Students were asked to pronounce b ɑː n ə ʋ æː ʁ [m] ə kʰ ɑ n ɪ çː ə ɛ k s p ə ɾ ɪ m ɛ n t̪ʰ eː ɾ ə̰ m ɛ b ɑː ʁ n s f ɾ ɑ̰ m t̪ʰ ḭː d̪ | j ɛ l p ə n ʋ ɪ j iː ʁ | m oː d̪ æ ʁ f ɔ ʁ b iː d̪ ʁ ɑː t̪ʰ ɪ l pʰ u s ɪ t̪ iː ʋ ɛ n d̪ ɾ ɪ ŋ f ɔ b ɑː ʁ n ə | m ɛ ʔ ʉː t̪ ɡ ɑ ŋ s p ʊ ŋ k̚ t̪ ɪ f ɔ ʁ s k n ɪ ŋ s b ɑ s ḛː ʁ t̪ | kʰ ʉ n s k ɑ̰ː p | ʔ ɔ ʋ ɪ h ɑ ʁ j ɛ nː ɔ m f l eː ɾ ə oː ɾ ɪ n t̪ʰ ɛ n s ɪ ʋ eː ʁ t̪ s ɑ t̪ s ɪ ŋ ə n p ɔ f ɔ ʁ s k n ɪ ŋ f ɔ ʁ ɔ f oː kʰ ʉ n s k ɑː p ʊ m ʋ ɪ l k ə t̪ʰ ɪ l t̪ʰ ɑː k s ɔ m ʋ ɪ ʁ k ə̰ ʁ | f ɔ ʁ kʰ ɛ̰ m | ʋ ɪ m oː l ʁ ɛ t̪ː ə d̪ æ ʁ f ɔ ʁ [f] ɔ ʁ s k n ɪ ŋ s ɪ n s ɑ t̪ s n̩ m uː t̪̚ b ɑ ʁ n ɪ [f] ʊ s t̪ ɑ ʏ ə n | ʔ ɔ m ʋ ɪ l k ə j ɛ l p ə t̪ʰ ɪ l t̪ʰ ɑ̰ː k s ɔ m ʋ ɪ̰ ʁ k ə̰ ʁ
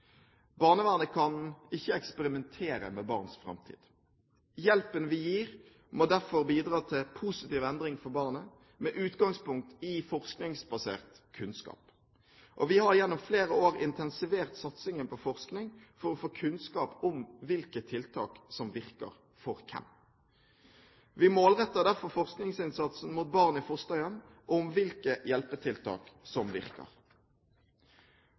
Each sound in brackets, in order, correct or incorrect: incorrect: n, correct, correct

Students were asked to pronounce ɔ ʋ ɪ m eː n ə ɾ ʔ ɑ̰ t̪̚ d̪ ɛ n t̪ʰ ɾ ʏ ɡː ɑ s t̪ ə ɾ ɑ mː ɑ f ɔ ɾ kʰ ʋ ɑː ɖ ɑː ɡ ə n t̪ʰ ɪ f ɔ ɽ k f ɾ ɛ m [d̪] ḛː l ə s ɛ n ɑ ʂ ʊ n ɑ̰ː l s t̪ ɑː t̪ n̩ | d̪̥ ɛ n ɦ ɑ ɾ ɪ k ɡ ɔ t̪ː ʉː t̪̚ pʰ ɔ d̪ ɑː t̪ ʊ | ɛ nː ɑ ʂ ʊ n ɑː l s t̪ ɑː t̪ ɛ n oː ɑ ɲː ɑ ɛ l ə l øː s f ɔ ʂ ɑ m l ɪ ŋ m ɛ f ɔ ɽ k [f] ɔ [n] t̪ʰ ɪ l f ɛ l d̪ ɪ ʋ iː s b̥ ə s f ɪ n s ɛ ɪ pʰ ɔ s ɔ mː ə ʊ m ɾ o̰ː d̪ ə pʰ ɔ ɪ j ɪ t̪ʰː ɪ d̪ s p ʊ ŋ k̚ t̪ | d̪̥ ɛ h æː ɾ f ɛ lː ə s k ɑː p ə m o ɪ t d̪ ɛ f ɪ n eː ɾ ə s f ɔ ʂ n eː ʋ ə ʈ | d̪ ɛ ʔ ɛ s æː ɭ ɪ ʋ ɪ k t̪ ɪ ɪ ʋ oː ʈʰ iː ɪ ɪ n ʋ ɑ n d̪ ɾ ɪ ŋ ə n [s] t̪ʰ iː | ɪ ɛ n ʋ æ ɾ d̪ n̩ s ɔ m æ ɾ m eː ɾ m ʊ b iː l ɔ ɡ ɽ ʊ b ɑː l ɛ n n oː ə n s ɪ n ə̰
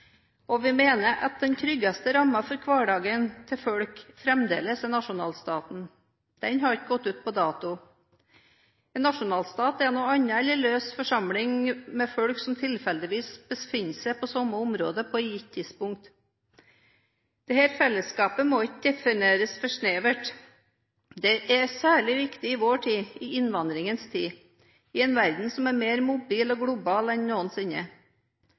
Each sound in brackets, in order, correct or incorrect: correct, incorrect: s, incorrect: m, correct

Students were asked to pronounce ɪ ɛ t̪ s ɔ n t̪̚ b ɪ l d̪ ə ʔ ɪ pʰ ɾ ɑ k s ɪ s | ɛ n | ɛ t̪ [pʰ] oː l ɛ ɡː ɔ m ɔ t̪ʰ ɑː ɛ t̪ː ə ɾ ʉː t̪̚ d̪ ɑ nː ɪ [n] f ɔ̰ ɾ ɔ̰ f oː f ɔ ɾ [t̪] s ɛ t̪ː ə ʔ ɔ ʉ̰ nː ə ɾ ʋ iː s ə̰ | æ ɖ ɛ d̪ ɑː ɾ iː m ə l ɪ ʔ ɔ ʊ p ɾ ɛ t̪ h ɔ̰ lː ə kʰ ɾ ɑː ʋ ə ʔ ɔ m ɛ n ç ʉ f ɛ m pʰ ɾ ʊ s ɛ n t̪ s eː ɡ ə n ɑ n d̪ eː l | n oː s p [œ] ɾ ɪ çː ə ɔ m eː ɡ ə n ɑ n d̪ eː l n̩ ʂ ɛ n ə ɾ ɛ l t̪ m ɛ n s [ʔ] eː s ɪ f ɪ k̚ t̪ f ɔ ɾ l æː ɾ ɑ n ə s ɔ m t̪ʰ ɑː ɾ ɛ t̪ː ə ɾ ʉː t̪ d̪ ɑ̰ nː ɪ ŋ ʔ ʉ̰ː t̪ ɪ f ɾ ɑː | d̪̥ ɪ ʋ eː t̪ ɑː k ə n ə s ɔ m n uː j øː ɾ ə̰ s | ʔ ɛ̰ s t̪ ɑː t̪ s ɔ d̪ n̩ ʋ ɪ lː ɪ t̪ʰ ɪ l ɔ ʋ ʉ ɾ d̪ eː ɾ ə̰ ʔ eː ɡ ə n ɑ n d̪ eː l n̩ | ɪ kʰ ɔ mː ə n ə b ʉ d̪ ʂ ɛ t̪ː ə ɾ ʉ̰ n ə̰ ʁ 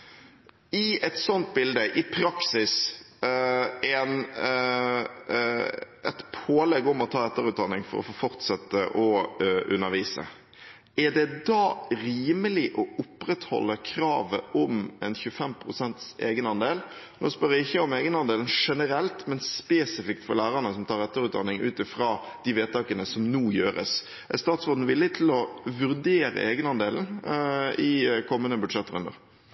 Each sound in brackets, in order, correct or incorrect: correct, incorrect: ŋ, correct, correct, incorrect: p

